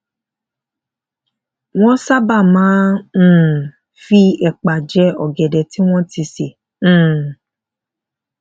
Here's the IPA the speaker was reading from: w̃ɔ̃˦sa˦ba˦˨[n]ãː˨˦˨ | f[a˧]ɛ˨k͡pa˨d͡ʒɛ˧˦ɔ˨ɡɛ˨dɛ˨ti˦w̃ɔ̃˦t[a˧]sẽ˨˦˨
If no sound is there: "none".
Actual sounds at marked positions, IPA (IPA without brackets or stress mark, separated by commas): m, i˧, i˧